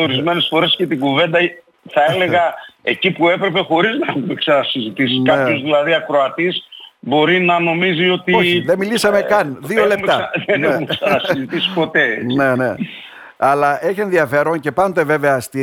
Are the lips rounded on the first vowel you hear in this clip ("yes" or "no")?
yes